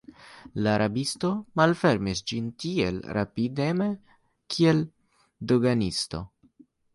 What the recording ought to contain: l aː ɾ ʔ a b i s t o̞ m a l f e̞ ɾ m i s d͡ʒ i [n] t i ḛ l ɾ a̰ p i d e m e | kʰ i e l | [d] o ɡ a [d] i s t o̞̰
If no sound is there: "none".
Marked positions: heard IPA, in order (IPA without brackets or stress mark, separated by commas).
n, d, n